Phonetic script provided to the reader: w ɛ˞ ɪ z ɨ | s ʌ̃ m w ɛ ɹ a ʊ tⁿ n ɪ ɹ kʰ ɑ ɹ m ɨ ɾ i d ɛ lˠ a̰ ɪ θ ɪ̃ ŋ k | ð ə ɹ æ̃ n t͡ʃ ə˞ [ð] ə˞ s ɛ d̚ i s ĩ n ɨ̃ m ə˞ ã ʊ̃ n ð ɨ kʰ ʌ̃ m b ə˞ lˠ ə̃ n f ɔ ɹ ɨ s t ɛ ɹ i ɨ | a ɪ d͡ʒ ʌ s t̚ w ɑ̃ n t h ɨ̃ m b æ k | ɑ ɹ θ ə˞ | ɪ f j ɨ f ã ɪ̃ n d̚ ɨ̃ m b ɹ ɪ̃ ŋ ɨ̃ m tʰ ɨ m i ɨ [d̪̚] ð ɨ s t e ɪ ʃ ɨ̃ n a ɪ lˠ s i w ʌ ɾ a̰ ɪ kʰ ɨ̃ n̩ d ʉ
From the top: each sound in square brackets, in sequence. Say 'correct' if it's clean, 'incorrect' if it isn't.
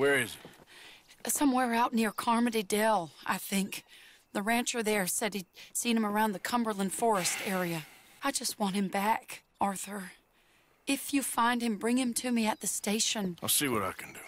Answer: correct, incorrect: t̪̚

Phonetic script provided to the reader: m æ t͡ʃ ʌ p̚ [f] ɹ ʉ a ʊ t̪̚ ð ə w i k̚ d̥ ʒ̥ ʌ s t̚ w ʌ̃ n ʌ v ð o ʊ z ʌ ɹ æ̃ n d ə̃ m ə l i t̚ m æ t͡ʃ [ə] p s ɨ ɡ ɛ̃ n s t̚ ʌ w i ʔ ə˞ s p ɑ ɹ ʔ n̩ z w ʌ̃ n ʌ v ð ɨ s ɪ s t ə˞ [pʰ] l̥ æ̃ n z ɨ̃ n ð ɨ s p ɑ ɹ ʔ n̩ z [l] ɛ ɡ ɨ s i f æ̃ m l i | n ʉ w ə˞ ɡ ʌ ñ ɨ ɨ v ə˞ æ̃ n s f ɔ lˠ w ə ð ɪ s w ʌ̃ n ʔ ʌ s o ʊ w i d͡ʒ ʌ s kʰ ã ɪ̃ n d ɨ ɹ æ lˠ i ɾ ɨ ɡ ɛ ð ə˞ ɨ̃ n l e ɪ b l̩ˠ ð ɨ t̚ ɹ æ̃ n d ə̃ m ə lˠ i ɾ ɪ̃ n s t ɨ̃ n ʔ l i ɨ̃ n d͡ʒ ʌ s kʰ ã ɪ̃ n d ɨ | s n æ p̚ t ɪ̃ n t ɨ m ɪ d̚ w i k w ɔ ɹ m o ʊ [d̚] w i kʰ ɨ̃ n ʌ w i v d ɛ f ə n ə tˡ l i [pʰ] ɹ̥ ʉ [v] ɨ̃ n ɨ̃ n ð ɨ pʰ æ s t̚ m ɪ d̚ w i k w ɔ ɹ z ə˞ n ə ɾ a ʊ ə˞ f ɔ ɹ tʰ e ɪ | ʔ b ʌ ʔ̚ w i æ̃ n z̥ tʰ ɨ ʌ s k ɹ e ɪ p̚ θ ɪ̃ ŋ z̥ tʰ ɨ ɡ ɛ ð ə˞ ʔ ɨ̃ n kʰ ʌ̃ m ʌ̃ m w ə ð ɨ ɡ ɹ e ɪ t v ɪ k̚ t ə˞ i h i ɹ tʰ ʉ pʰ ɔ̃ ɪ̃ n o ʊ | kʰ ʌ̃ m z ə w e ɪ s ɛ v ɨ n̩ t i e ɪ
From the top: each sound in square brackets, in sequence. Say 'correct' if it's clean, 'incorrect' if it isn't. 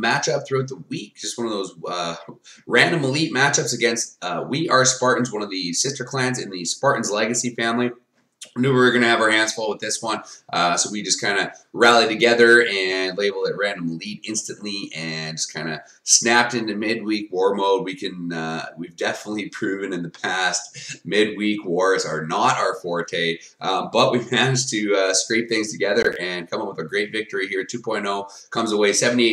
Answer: incorrect: θ, incorrect: ʌ, incorrect: kʰ, correct, correct, correct, correct

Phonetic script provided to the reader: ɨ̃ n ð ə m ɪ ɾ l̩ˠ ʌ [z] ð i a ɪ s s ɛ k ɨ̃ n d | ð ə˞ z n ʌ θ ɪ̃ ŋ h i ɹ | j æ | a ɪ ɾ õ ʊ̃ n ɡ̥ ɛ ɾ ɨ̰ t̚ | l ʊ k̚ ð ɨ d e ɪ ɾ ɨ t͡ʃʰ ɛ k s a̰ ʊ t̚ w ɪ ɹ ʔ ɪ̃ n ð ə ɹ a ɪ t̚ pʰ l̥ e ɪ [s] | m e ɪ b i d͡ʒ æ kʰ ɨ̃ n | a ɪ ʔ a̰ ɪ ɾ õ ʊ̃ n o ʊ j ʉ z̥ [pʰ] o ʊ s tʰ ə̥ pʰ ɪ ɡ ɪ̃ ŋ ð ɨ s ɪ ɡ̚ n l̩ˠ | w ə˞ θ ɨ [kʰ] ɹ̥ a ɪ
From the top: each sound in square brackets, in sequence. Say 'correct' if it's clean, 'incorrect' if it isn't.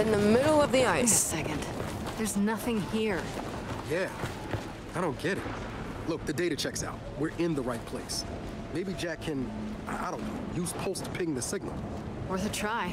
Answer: incorrect: v, correct, correct, incorrect: tʰ

